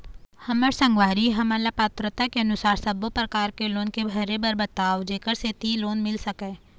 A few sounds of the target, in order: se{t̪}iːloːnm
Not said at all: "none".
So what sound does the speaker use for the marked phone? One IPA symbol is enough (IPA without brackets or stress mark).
t̪